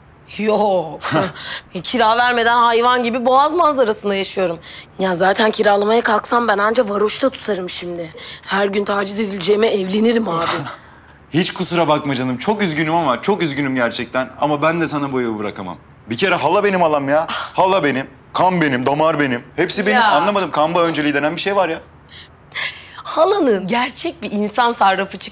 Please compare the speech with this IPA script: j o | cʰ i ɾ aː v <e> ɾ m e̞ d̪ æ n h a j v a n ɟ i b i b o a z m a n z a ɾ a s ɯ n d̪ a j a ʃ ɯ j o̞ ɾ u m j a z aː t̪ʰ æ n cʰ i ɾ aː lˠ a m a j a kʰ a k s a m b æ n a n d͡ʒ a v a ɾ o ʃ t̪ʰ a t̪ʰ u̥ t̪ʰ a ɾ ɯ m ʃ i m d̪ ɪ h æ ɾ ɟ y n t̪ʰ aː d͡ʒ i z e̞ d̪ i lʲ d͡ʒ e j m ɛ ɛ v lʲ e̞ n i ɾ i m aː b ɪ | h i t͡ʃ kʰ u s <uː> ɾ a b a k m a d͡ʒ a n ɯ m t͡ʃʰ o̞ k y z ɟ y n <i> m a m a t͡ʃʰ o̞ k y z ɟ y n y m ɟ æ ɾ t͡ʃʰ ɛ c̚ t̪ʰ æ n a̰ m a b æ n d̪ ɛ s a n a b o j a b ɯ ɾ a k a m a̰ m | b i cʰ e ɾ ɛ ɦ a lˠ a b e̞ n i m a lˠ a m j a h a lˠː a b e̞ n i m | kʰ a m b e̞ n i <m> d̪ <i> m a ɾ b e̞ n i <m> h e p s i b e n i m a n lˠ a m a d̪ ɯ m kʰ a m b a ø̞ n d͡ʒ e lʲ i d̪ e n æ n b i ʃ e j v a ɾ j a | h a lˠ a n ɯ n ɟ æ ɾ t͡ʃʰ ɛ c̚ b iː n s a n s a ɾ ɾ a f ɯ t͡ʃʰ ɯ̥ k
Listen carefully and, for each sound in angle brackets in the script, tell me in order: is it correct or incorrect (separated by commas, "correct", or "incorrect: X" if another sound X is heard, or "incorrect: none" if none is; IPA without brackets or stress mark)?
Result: incorrect: æ, incorrect: u, incorrect: y, correct, incorrect: a, correct